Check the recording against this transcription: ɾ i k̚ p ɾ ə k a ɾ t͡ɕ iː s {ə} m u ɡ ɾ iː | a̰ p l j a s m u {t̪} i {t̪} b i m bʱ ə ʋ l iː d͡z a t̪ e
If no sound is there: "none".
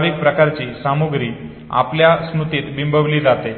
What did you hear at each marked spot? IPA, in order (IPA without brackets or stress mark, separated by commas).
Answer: a, t̪, t̪